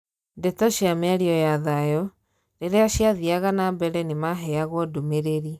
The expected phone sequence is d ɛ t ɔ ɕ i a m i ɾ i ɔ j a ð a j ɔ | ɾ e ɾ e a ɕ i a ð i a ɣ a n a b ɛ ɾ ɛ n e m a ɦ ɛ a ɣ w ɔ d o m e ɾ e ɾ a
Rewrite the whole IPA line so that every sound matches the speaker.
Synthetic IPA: d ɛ t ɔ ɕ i a m ɛ ɾ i ɔ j a ð a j ɔ | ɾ e ɾ e a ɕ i a ð i a ɣ a n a b ɛ ɾ ɛ n e m a ɦ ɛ a ɣ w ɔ d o m e ɾ e ɾ i